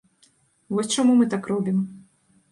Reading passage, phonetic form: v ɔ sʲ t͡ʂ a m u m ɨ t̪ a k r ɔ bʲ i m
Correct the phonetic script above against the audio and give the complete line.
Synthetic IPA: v ɔ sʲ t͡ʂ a m u m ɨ t̪ a k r ɔ bʲ i m

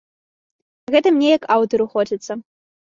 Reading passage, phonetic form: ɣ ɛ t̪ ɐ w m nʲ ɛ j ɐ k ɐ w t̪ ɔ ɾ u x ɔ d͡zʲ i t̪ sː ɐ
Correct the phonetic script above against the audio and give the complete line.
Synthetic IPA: ɣ ɛ t̪ ɐ m nʲ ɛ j ɐ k a w t̪ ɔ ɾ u x ɔ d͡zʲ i t̪ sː ɐ

